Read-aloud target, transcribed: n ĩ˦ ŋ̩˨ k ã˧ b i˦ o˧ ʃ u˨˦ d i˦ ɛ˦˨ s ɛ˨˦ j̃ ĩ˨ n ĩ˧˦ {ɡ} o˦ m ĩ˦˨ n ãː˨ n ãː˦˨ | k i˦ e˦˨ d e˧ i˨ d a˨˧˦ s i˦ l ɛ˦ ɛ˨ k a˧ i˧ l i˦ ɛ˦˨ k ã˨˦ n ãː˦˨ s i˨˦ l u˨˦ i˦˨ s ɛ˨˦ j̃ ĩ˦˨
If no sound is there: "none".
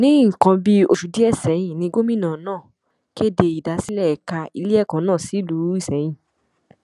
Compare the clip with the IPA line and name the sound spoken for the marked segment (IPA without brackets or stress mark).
ɡ